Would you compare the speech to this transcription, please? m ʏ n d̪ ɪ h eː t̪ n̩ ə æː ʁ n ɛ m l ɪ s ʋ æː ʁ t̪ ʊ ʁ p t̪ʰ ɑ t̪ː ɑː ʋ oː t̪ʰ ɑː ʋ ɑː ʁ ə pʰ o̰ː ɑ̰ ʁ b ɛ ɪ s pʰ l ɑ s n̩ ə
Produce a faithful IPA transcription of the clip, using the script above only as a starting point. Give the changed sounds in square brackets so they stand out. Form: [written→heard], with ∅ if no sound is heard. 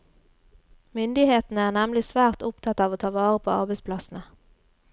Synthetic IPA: m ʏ n d̪ ɪ h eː t̪ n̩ ə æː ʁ n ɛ m l ɪ s ʋ æː ʁ t̪ ʊ [ʁ→∅] p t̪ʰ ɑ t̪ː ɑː ʋ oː t̪ʰ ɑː ʋ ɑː ʁ ə pʰ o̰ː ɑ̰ ʁ b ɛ ɪ s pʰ l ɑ s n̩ ə